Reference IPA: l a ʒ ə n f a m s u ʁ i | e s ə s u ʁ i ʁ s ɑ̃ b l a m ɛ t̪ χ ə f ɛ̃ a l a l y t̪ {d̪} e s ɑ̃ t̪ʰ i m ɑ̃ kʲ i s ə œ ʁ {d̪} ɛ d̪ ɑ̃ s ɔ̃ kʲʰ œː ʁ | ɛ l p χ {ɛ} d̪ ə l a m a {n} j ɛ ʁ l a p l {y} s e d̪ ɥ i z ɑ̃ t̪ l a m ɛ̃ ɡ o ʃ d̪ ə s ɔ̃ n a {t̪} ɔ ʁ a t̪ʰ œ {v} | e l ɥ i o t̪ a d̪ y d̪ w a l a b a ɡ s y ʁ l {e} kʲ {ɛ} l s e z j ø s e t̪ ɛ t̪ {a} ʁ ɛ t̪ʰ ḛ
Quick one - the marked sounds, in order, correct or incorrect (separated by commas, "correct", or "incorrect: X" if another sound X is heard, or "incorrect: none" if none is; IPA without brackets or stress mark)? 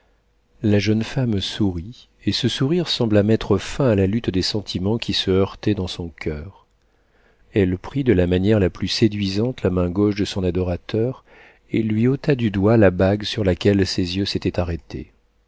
correct, incorrect: t̪, incorrect: i, correct, correct, incorrect: d̪, incorrect: ʁ, incorrect: a, correct, correct